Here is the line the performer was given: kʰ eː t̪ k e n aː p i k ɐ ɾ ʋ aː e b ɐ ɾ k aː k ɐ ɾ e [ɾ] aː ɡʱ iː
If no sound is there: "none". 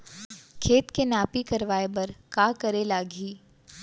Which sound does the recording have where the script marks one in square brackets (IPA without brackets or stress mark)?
l